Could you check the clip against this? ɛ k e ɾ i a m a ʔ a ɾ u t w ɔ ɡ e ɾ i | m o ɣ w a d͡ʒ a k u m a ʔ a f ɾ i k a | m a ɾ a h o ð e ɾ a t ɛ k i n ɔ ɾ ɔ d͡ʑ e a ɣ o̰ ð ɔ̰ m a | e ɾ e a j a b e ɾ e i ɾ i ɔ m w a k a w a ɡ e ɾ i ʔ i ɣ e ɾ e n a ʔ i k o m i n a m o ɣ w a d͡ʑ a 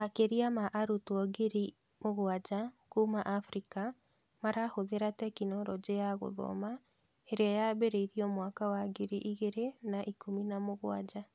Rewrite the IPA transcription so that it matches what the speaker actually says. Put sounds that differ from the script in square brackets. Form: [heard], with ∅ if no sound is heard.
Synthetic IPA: [a] k e ɾ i a m a ʔ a ɾ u t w ɔ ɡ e ɾ i | m o ɣ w a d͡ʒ a k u m a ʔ a f ɾ i k a | m a ɾ a h o ð e ɾ a t ɛ k i n ɔ ɾ ɔ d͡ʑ e a ɣ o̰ ð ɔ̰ m a | e ɾ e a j a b e ɾ e i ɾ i ɔ m w a k a w a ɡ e ɾ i ʔ i ɣ e ɾ e n a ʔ i k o m i n a m o ɣ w a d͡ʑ a